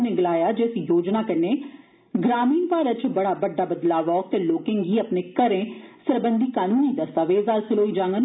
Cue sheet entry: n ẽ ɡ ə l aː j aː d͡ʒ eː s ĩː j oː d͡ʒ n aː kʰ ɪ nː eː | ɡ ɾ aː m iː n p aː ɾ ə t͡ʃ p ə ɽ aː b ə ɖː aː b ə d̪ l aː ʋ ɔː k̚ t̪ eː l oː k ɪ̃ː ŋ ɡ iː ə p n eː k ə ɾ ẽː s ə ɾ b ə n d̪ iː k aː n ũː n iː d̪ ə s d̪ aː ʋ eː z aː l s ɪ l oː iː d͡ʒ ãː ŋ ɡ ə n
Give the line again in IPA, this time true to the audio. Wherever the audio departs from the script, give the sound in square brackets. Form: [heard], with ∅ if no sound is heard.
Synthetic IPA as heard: n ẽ ɡ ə l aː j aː d͡ʒ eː s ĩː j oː d͡ʒ n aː [k] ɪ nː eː | ɡ ɾ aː m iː n p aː ɾ ə t͡ʃ [b] ə ɽ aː b ə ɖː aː b ə d̪ l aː ʋ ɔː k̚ t̪ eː l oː k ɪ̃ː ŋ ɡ iː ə p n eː k ə ɾ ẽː s ə ɾ b ə n d̪ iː k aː n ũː n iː d̪ ə s [t̪] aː ʋ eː z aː l s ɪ l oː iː d͡ʒ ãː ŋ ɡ ə n